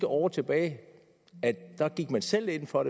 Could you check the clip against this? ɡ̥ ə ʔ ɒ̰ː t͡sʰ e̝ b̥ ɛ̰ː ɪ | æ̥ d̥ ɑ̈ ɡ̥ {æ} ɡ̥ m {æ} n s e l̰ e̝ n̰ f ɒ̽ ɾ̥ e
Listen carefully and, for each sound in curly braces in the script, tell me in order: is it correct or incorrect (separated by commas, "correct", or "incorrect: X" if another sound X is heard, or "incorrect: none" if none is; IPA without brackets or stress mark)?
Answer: incorrect: i, correct